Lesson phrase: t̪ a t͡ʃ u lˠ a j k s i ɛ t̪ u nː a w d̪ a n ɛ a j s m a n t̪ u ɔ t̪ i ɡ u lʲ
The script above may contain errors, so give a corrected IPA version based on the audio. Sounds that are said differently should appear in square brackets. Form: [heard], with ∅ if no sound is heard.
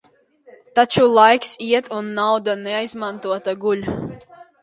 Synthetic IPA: t̪ a t͡ʃ u lˠ a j k s i ɛ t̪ u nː a w d̪ a n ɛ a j [z] m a n t̪ u ɔ t̪ [a] ɡ u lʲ